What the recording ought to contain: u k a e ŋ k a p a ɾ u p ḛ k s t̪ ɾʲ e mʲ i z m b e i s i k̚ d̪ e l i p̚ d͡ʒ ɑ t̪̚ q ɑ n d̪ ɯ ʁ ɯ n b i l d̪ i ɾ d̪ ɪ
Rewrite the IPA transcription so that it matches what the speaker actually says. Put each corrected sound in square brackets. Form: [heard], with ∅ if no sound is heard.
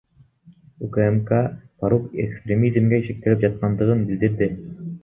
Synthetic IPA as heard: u k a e [m] k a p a ɾ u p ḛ k s t̪ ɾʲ e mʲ i z m [ɡ] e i [ʃ] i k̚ [t̪] e l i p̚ d͡ʒ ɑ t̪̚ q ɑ n d̪ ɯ ʁ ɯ n b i l d̪ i ɾ d̪ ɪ